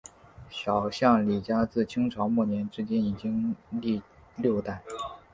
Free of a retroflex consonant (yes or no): no